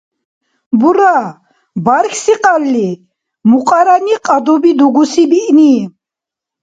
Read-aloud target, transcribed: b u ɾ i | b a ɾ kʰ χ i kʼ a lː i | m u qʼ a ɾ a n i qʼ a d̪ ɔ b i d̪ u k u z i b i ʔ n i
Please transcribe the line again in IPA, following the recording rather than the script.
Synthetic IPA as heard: b u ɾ a | b a ɾ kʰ s i qʼ a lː i | m u qʼ a ɾ a n i qʼ a d̪ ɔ b i d̪ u ɡ u s i b i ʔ n i